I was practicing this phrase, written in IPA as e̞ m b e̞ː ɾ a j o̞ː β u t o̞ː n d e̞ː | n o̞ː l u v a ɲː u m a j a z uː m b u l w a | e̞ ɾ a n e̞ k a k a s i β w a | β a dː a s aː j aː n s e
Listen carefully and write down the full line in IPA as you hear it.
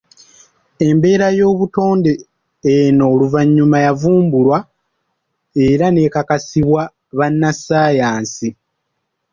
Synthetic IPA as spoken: e̞ m b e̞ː ɾ a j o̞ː β u t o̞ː n d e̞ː | n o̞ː l u v a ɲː u m a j a v uː m b u l w a | e̞ ɾ a n e̞ k a k a s i β w a | β a nː a s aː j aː n s i